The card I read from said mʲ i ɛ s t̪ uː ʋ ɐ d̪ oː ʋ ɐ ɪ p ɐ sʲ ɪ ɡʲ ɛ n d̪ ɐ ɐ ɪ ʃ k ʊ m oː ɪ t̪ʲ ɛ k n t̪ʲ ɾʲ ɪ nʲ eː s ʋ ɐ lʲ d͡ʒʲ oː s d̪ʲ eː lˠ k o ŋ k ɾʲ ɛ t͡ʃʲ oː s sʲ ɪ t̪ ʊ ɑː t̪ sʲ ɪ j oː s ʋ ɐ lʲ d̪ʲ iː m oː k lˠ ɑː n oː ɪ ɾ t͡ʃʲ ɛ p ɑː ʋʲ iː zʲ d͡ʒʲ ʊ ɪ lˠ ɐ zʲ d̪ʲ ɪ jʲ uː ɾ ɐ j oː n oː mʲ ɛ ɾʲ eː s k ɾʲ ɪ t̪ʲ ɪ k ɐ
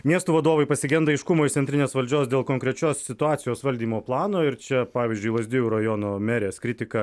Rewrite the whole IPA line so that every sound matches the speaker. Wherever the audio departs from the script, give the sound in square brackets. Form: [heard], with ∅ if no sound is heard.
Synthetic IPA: mʲ i ɛ s t̪ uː ʋ ɐ d̪ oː ʋ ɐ ɪ p ɐ sʲ ɪ ɡʲ ɛ n d̪ ɐ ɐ ɪ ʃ k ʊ m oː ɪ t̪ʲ ɛ [∅] n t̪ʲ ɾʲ ɪ nʲ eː s ʋ ɐ lʲ d͡ʒʲ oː s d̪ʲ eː lˠ k o ŋ k ɾʲ ɛ t͡ʃʲ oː s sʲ ɪ t̪ ʊ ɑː t̪ sʲ ɪ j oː s ʋ ɐ lʲ d̪ʲ iː m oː [p] lˠ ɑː n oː ɪ ɾ t͡ʃʲ ɛ p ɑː ʋʲ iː zʲ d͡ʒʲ ʊ ɪ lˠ ɐ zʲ d̪ʲ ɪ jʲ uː ɾ ɐ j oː n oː mʲ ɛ ɾʲ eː s k ɾʲ ɪ t̪ʲ ɪ k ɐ